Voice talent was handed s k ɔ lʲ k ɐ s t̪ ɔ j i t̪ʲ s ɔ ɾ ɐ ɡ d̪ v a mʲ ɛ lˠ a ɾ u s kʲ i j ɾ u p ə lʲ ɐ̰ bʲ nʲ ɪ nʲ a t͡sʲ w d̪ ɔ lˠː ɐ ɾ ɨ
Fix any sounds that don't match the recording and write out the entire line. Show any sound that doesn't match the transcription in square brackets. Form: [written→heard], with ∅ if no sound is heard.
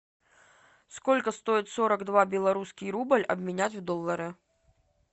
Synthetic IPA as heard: s k ɔ lʲ k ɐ s t̪ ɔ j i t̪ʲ s ɔ ɾ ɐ ɡ d̪ v a [mʲ→bʲ] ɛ lˠ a ɾ u s kʲ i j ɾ u [p→b] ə lʲ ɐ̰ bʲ [nʲ→mʲ] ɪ nʲ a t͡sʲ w d̪ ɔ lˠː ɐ ɾ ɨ